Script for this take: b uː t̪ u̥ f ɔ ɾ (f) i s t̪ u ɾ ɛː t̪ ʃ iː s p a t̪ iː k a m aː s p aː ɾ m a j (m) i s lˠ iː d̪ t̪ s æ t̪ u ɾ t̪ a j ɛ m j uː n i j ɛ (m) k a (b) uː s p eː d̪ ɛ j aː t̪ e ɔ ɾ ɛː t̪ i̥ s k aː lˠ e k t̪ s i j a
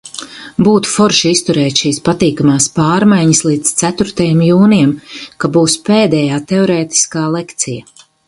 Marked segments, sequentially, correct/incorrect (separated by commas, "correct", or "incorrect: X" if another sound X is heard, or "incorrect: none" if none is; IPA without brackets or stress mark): incorrect: ʃ, incorrect: ɲ, correct, correct